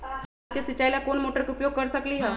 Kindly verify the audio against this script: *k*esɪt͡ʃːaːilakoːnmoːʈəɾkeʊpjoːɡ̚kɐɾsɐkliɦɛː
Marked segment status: correct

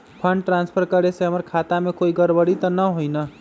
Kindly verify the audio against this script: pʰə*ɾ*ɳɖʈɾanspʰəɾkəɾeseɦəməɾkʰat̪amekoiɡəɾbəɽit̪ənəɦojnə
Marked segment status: incorrect: none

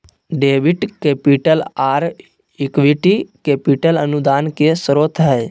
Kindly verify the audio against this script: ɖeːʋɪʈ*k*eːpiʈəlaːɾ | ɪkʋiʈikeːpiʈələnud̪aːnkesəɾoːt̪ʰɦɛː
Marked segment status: correct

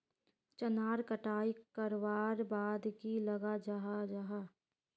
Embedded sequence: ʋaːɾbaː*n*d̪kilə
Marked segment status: incorrect: none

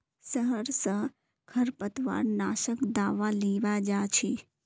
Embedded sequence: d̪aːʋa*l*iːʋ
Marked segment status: correct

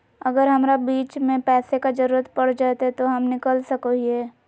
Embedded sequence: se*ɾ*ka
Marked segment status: incorrect: none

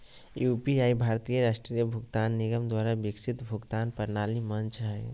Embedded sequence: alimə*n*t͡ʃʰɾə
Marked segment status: correct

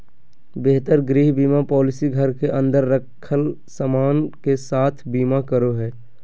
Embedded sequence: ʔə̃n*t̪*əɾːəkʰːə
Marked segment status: incorrect: d̪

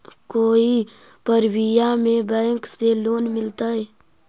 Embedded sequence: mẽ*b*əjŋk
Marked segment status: correct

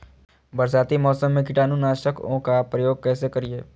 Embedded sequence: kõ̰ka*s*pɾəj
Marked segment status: incorrect: none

